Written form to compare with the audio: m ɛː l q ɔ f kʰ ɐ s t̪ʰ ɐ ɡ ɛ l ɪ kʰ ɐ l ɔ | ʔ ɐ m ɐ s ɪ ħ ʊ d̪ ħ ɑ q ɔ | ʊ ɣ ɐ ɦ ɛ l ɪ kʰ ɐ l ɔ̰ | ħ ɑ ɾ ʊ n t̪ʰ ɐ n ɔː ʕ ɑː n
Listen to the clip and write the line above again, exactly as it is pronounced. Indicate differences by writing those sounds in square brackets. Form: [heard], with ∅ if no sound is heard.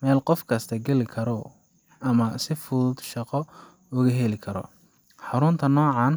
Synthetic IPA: m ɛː l q ɔ f kʰ ɐ s t̪ʰ ɐ ɡ ɛ l ɪ kʰ ɐ [ɾ] ɔ | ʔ ɐ m ɐ s ɪ [f] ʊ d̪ [ʃ] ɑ q ɔ | ʊ ɣ ɐ ɦ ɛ l ɪ kʰ ɐ [ɾ] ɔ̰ | ħ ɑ ɾ ʊ n t̪ʰ ɐ n ɔː ʕ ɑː n